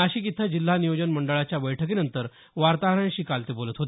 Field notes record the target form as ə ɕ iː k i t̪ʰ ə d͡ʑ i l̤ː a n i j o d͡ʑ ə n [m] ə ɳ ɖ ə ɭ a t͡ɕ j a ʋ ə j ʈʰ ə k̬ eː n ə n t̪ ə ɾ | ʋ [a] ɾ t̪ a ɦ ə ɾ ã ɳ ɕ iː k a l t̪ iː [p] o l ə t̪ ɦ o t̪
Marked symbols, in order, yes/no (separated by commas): yes, yes, no